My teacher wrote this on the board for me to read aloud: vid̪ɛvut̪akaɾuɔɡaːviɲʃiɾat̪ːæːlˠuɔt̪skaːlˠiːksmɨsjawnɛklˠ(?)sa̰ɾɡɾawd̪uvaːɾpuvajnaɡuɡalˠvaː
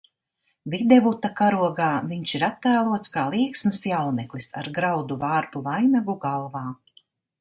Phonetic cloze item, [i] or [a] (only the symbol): i